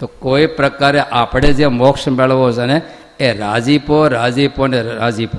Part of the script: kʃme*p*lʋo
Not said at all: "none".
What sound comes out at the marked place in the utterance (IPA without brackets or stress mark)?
none